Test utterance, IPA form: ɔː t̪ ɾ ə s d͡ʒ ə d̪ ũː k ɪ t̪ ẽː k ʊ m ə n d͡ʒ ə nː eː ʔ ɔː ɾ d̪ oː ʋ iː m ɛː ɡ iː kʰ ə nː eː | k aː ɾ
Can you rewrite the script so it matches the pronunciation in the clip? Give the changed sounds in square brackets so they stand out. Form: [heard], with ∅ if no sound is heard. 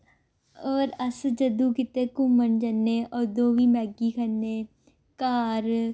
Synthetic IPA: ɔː [∅] ɾ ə s d͡ʒ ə d̪ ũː k ɪ t̪ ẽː k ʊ m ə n d͡ʒ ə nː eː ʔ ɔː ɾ d̪ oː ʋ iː m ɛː ɡ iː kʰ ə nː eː | k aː ɾ